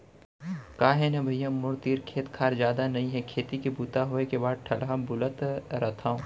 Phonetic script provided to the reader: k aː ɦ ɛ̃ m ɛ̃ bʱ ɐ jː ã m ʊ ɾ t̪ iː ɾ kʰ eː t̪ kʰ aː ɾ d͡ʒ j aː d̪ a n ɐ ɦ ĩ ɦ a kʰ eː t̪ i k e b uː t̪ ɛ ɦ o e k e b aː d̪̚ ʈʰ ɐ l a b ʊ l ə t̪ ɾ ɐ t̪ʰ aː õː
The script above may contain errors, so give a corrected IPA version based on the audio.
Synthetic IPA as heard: k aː ɦ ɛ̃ n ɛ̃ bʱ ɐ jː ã m ʊ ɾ t̪ iː ɾ kʰ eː t̪ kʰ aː ɾ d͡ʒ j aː d̪ a n ɐ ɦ ĩ ɦ ɛ kʰ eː t̪ i k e b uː t̪ a ɦ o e k e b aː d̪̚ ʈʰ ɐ l a b ʊ l ə t̪ ɾ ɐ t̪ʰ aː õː